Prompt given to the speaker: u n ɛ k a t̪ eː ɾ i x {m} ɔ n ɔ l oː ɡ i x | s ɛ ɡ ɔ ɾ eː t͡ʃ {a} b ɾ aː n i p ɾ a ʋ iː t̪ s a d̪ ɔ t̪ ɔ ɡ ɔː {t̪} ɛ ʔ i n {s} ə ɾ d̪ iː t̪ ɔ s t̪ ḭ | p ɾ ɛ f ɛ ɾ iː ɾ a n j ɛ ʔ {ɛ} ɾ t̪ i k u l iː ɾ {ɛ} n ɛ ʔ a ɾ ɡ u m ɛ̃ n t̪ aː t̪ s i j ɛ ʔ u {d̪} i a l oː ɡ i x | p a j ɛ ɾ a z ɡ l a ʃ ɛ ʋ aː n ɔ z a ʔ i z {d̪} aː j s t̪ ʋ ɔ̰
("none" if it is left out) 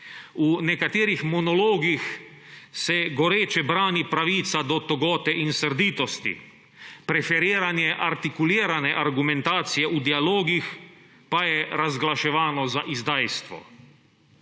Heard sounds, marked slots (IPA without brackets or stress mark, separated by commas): m, ɛ, t̪, s, a, a, d̪, d̪